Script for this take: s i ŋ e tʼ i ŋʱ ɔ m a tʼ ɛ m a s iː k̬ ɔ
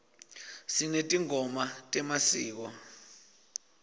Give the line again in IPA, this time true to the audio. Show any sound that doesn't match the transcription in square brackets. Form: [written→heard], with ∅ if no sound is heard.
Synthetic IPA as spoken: s i [ŋ→n] e tʼ i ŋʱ ɔ m a tʼ ɛ m a s iː k̬ ɔ